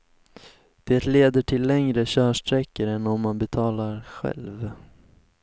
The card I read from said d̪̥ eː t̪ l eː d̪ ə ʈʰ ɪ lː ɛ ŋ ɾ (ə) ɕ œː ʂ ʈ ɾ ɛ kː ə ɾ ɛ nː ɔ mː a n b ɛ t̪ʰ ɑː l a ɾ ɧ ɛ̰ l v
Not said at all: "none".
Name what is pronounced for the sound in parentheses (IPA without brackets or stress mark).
ə